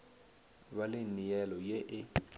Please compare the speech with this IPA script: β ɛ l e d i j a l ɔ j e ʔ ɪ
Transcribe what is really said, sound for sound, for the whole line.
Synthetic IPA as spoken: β a l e n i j ɛ l ɔ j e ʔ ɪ